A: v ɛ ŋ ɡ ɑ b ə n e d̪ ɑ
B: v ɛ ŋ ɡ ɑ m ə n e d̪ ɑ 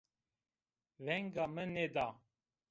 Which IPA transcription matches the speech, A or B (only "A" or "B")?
B